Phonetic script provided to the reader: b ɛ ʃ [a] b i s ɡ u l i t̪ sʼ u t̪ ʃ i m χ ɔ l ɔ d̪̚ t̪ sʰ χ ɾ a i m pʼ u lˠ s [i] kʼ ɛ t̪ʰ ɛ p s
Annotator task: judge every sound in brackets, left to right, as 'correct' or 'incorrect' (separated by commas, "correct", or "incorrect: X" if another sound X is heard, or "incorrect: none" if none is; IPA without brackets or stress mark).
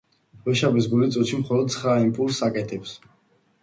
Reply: correct, incorrect: a